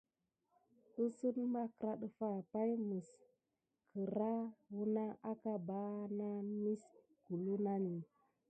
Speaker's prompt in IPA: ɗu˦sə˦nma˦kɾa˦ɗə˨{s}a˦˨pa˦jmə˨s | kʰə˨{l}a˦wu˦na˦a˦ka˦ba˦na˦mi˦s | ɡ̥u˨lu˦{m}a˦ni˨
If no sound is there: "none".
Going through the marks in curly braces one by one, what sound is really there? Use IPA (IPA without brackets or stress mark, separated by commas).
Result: f, ɾ, n